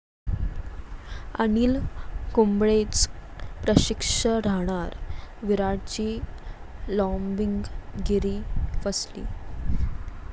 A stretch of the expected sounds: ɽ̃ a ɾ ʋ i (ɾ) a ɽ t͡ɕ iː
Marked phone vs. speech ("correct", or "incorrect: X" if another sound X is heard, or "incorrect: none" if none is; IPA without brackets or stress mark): correct